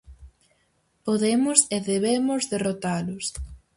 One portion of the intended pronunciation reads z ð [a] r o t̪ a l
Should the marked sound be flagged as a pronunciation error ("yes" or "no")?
yes